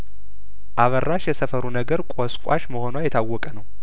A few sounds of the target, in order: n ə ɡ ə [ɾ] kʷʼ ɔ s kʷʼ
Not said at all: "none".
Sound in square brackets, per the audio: ɾ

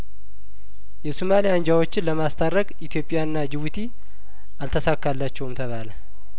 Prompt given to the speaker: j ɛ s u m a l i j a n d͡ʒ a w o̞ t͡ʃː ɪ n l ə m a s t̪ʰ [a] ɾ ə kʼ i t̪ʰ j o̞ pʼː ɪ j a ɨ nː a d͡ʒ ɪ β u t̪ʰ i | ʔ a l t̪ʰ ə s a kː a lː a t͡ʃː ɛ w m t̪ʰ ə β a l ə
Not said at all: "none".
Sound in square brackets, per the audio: a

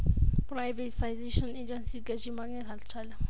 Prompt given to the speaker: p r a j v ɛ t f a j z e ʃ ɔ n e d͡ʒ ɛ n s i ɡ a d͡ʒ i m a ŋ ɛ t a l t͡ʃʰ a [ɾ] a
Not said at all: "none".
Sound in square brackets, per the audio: l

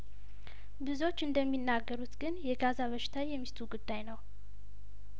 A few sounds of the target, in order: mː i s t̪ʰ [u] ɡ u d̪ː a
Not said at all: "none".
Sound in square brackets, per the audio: u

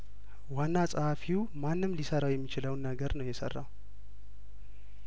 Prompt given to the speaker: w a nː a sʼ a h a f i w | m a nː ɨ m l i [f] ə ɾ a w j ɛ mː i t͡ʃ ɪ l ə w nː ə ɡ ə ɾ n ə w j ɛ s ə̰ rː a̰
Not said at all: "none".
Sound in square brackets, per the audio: s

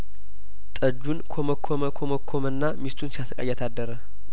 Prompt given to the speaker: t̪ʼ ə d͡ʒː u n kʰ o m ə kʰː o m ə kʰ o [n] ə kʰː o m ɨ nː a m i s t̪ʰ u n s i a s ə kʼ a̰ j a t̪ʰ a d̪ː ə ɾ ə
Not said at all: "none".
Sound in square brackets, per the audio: m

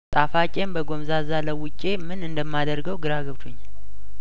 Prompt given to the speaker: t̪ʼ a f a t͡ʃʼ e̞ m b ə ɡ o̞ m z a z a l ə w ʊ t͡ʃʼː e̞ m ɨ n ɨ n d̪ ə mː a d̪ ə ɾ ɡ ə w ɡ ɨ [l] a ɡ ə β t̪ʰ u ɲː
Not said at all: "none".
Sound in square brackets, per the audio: ɾ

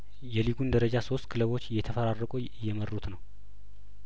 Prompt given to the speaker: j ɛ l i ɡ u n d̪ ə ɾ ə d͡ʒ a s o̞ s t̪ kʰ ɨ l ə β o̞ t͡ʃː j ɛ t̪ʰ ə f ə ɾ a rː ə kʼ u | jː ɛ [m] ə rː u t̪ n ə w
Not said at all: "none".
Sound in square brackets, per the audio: m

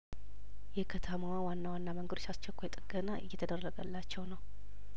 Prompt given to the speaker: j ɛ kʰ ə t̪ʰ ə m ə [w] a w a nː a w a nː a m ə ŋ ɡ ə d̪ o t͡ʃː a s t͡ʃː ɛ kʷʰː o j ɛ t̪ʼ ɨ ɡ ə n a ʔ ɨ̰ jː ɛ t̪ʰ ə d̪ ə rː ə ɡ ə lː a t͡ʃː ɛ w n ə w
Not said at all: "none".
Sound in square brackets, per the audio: w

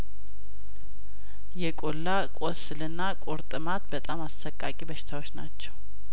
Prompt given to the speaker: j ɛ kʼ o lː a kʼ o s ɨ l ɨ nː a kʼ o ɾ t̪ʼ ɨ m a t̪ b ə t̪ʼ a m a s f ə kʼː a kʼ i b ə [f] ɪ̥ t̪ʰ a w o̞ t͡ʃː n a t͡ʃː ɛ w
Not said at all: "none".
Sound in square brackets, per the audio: ʃ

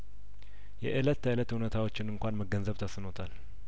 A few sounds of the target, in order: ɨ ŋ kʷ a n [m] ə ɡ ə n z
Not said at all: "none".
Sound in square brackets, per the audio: m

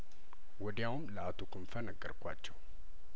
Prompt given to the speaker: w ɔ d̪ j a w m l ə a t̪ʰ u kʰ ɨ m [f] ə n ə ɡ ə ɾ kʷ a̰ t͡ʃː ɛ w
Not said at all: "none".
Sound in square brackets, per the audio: f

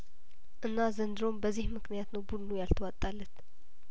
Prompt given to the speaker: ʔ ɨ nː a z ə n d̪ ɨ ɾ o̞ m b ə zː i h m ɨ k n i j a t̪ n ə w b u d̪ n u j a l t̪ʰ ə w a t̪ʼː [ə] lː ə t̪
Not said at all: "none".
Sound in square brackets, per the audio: a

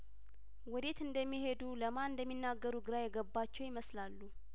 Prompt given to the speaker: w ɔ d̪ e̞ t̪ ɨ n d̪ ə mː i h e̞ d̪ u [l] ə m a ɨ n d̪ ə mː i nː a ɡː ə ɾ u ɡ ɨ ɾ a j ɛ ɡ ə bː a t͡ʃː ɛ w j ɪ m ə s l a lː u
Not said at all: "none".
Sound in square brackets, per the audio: l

